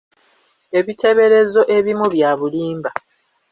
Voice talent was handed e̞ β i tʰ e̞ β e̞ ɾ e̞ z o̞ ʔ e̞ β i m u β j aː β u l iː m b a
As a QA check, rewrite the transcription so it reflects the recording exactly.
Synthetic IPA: e̞ β i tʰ e̞ β e̞ ɾ e̞ z o̞ ʔ e̞ β i m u β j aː β u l iː m b a